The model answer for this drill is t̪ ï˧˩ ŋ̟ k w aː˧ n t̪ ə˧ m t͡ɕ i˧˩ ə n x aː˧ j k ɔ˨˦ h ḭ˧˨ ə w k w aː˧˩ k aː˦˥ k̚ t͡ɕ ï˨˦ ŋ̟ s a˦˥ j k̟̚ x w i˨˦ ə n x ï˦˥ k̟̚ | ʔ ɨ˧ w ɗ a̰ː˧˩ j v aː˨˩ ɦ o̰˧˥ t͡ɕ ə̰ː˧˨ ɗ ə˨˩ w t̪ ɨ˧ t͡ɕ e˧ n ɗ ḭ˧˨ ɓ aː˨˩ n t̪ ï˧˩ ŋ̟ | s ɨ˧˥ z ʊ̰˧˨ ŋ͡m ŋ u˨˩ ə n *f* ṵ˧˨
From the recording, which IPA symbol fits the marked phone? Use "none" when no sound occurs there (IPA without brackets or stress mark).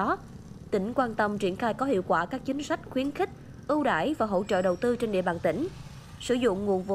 v